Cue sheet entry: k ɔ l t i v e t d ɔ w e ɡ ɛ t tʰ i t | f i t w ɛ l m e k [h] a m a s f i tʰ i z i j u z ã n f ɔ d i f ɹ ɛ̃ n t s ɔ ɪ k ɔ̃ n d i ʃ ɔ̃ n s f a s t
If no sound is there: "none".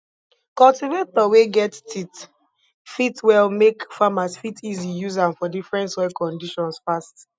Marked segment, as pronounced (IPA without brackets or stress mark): f